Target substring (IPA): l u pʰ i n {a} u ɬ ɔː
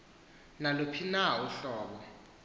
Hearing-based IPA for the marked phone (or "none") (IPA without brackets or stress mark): a